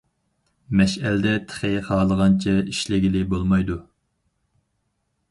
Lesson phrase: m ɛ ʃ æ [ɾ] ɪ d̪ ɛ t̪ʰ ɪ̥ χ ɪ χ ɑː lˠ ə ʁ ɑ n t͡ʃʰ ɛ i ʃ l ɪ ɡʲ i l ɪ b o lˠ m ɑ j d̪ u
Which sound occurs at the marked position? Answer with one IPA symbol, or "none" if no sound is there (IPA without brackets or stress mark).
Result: l